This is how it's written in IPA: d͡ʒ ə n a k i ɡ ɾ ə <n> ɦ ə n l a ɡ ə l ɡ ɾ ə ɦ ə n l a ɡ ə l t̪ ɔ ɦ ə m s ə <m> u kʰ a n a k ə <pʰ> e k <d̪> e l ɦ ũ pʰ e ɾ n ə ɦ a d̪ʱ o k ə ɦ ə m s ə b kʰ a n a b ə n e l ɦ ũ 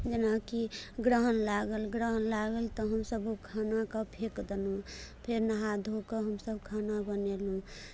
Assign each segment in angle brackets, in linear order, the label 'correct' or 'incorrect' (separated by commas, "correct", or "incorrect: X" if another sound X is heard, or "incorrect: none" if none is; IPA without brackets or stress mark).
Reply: incorrect: none, incorrect: b, correct, correct